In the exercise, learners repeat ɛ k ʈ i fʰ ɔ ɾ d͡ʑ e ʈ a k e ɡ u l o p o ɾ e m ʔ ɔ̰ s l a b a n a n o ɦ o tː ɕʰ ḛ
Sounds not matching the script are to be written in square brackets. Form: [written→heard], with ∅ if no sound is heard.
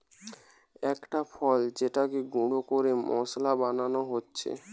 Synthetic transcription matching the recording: ɛ k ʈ [i→a] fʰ ɔ [ɾ→l] d͡ʑ e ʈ a k e ɡ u [l→ɽ] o [p→k] o ɾ e m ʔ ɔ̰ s l a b a n a n o ɦ o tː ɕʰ ḛ